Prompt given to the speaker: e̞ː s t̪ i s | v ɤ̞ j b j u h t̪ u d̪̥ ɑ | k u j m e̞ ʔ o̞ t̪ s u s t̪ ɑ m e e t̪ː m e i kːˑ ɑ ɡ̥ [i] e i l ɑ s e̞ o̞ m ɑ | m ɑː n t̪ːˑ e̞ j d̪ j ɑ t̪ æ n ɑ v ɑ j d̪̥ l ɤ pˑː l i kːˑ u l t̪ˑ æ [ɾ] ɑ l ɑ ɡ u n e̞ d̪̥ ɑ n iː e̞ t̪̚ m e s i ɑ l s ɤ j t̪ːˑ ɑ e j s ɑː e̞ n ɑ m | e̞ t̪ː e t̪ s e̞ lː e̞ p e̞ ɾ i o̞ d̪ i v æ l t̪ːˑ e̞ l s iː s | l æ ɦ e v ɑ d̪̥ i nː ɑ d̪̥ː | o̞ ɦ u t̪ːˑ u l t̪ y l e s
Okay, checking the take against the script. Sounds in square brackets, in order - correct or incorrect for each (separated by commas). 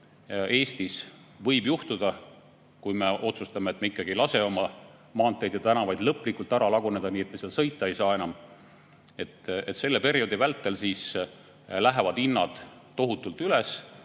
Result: correct, correct